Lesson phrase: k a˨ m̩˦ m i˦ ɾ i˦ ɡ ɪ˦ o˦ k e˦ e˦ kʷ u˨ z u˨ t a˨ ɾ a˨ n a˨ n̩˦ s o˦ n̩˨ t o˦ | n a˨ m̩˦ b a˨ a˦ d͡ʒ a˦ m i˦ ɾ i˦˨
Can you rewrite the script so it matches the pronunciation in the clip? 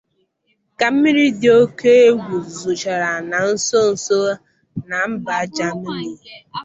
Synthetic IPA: k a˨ m̩˦ m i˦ ɾ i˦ d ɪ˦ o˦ k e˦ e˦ ɡʷ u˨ z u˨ t͡ʃ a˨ ɾ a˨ n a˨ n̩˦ s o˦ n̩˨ s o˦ | n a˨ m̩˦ b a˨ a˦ d͡ʒ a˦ m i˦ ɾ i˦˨